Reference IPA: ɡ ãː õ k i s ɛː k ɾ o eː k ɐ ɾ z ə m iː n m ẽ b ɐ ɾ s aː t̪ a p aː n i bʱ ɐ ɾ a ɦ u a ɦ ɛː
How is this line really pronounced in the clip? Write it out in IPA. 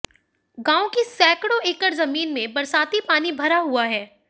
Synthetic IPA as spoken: ɡ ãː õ k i s ɛː k ɽ o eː k ə ɾ z ɐ m iː n m ẽ b ɐ ɾ s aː t̪ i p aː n i bʱ ɐ ɾ a ɦ u a ɦ ɛː